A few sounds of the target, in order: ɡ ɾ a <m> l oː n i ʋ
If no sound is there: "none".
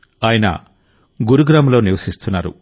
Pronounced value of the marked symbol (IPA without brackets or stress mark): m